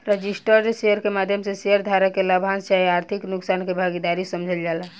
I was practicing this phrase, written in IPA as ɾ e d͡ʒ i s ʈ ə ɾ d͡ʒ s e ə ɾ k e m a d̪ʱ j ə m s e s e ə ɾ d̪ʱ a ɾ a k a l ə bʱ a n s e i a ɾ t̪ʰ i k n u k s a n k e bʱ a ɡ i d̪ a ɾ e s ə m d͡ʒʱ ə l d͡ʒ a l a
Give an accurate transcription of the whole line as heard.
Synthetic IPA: ɾ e d͡ʒ i s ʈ ə ɾ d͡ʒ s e ə ɾ k e m a d̪ʱ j ə m s e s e ə ɾ d̪ʱ a ɾ a k e l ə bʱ a n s a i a ɾ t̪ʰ i k n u k s a n k e bʱ a ɡ i d̪ a ɾ i s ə m d͡ʒʱ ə l d͡ʒ a l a